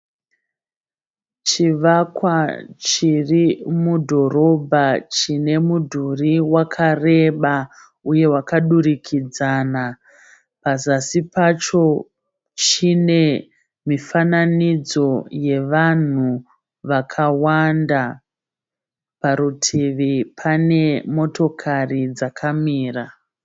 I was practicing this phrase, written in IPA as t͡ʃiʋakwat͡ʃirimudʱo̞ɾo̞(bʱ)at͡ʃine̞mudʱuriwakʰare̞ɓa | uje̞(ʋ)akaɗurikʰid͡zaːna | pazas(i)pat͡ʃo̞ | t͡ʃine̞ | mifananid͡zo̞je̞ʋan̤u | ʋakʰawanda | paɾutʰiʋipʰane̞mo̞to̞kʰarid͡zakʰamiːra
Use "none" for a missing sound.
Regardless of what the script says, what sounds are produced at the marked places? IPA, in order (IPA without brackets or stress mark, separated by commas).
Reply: bʱ, w, i